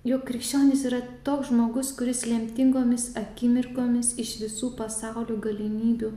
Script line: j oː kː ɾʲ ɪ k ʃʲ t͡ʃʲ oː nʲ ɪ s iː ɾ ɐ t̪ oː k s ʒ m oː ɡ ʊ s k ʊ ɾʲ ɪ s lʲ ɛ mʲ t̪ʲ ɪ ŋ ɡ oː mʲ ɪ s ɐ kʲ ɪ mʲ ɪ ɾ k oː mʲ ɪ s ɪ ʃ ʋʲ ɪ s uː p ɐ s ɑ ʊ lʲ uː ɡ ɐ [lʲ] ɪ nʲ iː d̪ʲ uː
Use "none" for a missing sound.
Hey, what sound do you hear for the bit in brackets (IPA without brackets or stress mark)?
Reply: lʲ